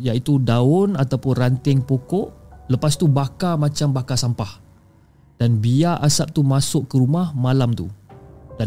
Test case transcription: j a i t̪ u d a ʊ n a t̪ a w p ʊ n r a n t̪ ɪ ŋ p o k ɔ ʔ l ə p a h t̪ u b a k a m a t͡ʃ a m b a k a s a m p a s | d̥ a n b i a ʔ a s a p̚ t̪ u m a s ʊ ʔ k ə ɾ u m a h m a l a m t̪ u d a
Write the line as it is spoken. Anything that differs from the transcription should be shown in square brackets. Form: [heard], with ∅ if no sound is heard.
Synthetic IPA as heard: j a i t̪ u d a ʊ n a t̪ a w p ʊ n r a n t̪ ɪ ŋ p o k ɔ ʔ l ə p a [s] t̪ u b a k a m a t͡ʃ a m b a k a s a m p a [h] | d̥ a n b i a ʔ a s a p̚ t̪ u m a s ʊ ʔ k ə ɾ u m a h m a l a m t̪ u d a